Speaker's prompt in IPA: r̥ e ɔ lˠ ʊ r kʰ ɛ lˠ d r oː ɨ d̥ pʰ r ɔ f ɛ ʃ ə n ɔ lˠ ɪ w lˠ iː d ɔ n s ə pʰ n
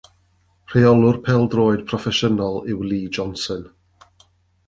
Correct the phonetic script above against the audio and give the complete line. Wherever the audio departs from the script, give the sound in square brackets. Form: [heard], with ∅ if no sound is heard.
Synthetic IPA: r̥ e ɔ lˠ ʊ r [pʰ] ɛ lˠ d r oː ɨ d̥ pʰ r ɔ f ɛ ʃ ə n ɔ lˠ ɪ w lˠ iː [d͡ʒ] ɔ n s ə [∅] n